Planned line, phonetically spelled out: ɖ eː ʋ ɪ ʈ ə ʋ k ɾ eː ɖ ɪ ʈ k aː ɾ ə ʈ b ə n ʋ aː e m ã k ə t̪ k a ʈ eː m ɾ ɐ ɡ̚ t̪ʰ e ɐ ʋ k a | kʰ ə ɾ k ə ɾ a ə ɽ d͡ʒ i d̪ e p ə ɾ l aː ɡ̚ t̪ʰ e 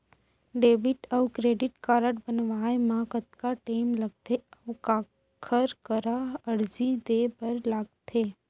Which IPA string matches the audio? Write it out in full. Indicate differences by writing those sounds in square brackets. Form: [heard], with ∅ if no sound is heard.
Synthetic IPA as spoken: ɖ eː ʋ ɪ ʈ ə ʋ k ɾ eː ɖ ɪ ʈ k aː ɾ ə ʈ b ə n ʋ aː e m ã k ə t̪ k a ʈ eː m [l] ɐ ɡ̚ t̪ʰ e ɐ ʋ k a | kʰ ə ɾ k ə ɾ a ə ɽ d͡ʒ i d̪ e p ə ɾ l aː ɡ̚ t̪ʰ e